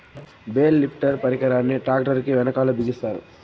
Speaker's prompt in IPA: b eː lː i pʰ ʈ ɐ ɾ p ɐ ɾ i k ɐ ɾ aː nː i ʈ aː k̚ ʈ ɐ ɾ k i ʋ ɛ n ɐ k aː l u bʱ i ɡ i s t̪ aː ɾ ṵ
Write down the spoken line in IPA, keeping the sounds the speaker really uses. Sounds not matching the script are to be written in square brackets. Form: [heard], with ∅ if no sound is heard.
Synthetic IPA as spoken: b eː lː i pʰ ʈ ɐ ɾ p ɐ ɾ i k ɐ ɾ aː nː i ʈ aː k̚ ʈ ɐ ɾ k i ʋ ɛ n ɐ k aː l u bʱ i ɡ i s t̪ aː ɾ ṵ